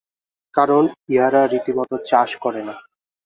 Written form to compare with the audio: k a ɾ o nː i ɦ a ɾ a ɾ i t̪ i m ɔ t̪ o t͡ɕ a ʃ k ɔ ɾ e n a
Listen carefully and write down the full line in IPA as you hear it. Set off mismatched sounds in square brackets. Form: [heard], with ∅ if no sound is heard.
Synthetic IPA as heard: k a ɾ o [n] i ɦ a ɾ a ɾ i t̪ i m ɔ t̪ o t͡ɕ a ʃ k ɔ ɾ e n a